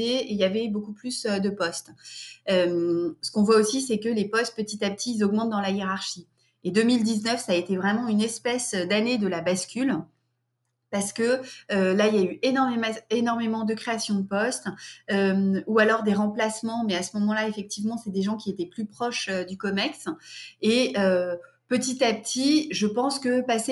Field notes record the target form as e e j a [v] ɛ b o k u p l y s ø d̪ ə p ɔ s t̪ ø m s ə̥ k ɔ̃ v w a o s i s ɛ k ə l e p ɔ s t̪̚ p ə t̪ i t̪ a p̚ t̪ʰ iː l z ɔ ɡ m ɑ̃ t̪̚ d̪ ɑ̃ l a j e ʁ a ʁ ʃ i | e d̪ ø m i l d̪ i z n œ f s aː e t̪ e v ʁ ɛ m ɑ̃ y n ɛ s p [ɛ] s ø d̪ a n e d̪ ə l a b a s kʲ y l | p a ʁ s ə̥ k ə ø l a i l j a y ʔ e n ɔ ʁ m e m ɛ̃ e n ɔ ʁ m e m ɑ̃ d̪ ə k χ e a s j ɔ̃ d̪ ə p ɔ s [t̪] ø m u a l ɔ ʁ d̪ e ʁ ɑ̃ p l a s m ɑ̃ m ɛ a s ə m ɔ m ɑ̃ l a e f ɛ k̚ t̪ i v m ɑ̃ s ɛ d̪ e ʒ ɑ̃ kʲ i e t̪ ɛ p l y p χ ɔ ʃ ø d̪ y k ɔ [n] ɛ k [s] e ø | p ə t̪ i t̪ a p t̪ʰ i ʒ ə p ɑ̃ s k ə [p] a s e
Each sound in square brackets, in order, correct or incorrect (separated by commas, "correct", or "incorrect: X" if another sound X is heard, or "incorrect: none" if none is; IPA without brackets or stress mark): correct, correct, correct, incorrect: m, correct, correct